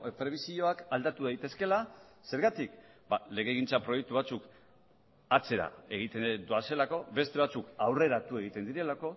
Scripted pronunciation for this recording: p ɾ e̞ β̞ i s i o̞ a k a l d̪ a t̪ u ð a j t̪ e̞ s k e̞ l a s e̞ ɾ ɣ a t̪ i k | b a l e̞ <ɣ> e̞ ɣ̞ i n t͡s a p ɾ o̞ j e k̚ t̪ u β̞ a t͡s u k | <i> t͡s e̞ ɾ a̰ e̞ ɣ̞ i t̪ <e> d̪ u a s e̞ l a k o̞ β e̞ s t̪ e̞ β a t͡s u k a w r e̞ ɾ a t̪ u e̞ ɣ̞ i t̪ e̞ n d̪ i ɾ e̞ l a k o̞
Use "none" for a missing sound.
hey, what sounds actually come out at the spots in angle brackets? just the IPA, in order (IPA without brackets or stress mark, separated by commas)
ɣ, a, e